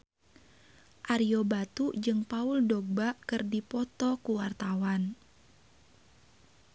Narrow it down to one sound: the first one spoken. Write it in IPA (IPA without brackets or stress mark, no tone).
ʔ